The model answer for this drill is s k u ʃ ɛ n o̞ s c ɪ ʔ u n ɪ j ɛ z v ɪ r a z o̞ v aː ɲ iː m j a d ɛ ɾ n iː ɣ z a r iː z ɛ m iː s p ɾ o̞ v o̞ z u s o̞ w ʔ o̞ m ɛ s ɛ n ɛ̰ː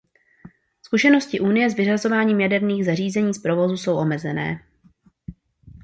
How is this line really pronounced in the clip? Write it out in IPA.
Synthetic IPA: s k u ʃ ɛ n o̞ s c ɪ ʔ u n ɪ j ɛ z v ɪ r a z o̞ v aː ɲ iː m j a d ɛ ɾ n iː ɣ z a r iː z ɛ ɲ iː s p ɾ o̞ v o̞ z u s o̞ w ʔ o̞ m ɛ z ɛ n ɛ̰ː